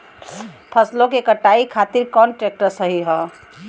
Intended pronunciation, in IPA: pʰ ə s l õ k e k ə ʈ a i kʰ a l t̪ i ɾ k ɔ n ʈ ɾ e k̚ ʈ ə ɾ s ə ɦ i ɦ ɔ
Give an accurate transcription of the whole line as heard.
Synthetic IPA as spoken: pʰ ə s l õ k e k ə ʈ a i kʰ a t̪ i ɾ k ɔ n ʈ ɾ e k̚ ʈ ə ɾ s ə ɦ i ɦ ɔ